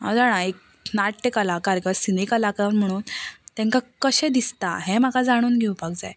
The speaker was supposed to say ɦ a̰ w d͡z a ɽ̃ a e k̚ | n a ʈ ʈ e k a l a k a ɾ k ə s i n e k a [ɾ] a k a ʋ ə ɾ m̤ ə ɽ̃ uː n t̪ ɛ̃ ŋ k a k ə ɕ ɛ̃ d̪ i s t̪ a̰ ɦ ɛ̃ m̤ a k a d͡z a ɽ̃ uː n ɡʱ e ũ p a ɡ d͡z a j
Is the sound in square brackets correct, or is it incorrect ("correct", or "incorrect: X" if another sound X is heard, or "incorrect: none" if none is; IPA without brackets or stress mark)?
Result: incorrect: l